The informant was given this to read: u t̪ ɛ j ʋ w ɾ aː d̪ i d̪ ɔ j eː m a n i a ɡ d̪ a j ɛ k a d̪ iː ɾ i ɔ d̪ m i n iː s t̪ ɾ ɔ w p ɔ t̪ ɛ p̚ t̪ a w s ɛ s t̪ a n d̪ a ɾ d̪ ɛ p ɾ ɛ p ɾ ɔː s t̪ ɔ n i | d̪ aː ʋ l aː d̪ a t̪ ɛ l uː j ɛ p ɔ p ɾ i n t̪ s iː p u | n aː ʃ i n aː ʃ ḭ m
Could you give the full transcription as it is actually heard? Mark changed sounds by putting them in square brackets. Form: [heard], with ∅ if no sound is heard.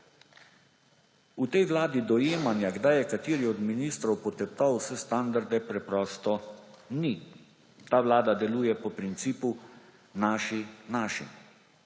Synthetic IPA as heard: u t̪ ɛ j ʋ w [l] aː d̪ i d̪ ɔ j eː m a n [j] a ɡ d̪ a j ɛ k a [t̪] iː ɾ i ɔ d̪ m i n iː s t̪ ɾ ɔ w p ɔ t̪ ɛ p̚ t̪ a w s ɛ s t̪ a n d̪ a ɾ d̪ ɛ p ɾ ɛ p ɾ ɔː s t̪ ɔ n i | [t̪] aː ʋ l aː d̪ a [d̪] ɛ l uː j ɛ p ɔ p ɾ i n t̪ s iː p u | n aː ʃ i n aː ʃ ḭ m